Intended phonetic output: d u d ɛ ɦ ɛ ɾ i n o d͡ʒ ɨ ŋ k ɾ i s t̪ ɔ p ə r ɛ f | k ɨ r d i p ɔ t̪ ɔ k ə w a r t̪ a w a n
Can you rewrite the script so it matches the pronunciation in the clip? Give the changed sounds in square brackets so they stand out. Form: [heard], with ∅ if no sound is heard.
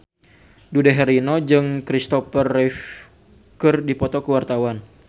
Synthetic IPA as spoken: d u d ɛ ɦ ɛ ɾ i n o d͡ʒ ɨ ŋ k ɾ i s t̪ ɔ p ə r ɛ f | k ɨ r d i p ɔ t̪ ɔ k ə w a r t̪ a w a n